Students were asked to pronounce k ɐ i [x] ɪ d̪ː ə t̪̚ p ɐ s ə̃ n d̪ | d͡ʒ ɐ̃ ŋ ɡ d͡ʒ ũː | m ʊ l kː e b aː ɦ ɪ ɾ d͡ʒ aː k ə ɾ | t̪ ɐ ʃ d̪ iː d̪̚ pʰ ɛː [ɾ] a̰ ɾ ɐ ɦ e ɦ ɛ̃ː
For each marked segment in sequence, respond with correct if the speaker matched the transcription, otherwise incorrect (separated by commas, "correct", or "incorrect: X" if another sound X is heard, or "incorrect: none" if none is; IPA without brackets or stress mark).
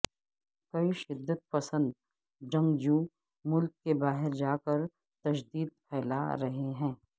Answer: incorrect: ʃ, incorrect: l